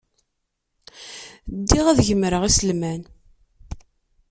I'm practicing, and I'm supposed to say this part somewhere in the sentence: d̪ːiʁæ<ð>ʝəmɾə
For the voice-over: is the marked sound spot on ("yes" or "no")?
yes